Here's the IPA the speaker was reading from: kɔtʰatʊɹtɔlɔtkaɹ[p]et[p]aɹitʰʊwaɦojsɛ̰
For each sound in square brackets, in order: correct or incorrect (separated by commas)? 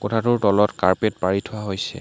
correct, correct